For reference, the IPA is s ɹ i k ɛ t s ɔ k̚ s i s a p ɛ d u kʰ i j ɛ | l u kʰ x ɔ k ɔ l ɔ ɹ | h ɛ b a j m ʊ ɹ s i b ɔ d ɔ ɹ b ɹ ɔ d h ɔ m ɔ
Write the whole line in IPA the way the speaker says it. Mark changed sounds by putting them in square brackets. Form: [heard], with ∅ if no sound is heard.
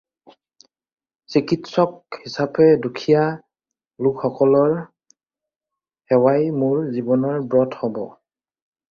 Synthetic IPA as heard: s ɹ i k [i] t s ɔ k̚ [h] i s a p ɛ d u kʰ i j [a] | l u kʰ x ɔ k ɔ l ɔ ɹ | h ɛ [w] a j m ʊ ɹ [z] i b ɔ [n] ɔ ɹ b ɹ ɔ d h ɔ [b] ɔ